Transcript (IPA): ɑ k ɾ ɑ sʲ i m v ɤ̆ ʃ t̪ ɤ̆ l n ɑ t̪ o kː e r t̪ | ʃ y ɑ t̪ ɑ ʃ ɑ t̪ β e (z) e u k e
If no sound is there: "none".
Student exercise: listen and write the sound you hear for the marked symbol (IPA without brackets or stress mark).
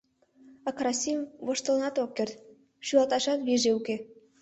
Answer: ʒ